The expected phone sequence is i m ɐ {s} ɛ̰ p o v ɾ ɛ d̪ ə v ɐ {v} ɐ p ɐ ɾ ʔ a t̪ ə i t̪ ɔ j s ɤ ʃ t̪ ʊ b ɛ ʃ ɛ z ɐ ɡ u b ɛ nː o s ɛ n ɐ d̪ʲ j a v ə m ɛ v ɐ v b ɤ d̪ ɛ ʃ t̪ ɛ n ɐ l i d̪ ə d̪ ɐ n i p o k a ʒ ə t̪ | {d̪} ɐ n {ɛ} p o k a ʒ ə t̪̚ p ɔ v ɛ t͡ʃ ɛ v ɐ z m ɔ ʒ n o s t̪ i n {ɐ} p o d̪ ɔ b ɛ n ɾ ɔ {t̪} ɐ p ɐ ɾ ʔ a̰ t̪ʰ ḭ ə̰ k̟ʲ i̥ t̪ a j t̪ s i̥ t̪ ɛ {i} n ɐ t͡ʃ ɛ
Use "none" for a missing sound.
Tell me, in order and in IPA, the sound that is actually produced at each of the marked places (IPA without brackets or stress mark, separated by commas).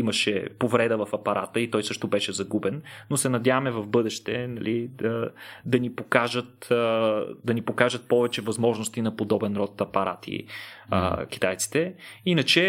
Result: ʃ, f, d̪, i, ɐ, t̪, i